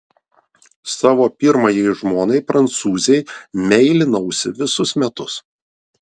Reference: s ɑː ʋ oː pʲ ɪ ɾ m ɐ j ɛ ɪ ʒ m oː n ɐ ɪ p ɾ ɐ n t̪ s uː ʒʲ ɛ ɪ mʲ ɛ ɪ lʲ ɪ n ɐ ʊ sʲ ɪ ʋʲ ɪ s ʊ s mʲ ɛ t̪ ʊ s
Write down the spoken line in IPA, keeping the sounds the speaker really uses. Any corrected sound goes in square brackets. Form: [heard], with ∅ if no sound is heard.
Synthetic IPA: s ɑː ʋ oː pʲ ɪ ɾ m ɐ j ɛ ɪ ʒ m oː n ɐ ɪ p ɾ ɐ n t̪ s uː [zʲ] ɛ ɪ mʲ ɛ ɪ lʲ ɪ n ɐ ʊ sʲ ɪ ʋʲ ɪ s ʊ s mʲ ɛ t̪ ʊ s